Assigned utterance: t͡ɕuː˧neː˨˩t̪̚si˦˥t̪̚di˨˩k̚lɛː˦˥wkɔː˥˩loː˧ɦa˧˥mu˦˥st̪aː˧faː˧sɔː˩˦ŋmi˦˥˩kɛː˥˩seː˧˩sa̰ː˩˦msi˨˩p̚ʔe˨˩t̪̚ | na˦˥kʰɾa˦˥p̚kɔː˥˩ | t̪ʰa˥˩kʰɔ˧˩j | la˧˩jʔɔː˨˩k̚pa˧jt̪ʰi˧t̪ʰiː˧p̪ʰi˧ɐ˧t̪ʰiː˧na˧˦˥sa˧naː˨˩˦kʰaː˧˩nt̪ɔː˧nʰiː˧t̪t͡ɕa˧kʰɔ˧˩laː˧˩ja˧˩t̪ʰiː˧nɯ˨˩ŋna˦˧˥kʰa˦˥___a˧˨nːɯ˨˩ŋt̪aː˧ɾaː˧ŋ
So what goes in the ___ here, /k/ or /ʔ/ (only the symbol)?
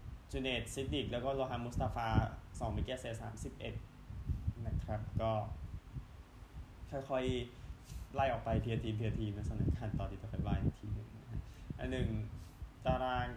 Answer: ʔ